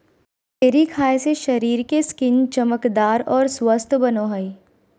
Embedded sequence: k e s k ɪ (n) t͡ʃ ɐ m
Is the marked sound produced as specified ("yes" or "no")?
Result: yes